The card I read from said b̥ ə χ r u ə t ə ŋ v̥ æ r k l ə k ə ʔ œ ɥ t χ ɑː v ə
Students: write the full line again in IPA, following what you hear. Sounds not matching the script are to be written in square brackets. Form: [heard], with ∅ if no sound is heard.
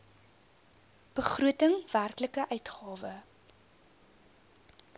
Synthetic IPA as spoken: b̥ ə χ r u ə t ə ŋ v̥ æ r k l ə k ə ʔ œ ɥ t χ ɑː v ə